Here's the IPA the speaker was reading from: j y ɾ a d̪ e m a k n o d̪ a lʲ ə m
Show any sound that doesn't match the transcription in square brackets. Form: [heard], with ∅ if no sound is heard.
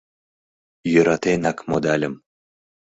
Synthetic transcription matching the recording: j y ɾ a [t̪] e [n] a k [m] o d̪ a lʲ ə m